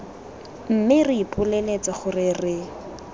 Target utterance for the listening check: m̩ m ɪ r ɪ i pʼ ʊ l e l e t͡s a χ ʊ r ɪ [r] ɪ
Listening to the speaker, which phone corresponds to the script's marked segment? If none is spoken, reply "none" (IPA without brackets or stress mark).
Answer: r